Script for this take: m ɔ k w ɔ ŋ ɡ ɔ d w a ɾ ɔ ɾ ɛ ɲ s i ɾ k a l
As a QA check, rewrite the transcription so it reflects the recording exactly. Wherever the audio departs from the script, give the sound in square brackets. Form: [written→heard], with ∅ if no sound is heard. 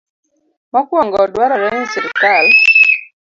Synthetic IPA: m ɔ k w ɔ ŋ ɡ ɔ d w a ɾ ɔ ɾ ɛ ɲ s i ɾ k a l